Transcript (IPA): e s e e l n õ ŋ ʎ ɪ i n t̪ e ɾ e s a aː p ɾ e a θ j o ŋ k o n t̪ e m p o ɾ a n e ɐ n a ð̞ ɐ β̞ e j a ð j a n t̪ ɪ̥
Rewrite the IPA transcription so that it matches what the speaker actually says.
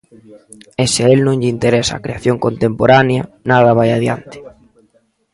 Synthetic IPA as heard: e s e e l n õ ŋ ʎ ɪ i n t̪ e ɾ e s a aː k ɾ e a θ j o ŋ k o n t̪ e m p o ɾ a n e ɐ n a ð̞ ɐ β̞ a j a ð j a n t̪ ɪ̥

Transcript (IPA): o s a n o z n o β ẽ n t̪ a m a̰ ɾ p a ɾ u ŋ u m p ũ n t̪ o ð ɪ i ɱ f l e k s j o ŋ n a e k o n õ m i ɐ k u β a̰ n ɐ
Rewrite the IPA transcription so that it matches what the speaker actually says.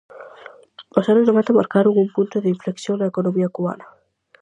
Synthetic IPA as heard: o s a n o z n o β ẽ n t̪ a m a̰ ɾ k a ɾ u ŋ u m p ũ n t̪ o ð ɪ i ɱ f l e k s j o ŋ n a e k o n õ m i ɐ k u β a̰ n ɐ

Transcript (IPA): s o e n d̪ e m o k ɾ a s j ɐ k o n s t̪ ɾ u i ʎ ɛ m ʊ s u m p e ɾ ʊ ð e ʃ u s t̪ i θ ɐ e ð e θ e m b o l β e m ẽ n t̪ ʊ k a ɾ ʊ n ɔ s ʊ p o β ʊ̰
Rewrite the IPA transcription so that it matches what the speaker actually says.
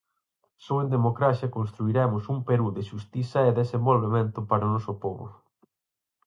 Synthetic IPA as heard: s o e n d̪ e m o k ɾ a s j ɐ k o n s t̪ ɾ u i ɾ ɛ m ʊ s u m p e ɾ u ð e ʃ u s t̪ i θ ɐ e ð e s e m b o l β e m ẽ n t̪ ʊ p a ɾ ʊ n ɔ s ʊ p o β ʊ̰

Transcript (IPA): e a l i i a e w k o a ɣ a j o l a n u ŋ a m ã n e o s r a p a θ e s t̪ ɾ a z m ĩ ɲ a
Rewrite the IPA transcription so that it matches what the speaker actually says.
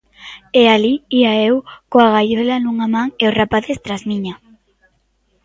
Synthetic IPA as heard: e a l i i a e w k o a ɣ a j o l a n u ŋ a m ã ŋ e o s r a p a θ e s t̪ ɾ a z m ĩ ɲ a

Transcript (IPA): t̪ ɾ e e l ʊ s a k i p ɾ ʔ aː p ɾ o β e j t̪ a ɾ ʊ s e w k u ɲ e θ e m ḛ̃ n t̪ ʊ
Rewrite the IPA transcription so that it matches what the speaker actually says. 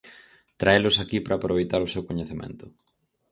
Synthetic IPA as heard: t̪ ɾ a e l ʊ s a k i p ɾ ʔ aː p ɾ o β e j t̪ a ɾ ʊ s e w k o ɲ e θ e m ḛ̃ n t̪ ʊ

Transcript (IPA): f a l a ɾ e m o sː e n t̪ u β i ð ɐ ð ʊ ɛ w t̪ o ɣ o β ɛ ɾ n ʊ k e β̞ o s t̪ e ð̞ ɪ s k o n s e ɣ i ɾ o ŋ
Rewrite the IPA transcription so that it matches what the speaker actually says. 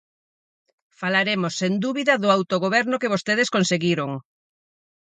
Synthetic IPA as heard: f a l a ɾ e m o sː e n d̪ u β i ð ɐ ð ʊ a w t̪ o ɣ o β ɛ ɾ n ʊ k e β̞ o s t̪ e ð̞ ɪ s k o n s e ɣ i ɾ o ŋ

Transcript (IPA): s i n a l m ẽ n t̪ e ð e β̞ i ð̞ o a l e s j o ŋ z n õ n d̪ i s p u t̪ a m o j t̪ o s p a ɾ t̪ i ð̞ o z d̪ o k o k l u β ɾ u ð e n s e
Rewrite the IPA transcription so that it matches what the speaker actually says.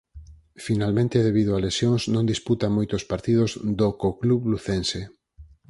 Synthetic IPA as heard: f i n a l m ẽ n t̪ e ð e β̞ i ð̞ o a l e s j o ŋ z n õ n d̪ i s p u t̪ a m o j t̪ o s p a ɾ t̪ i ð̞ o z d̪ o k o k l u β l u θ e n s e

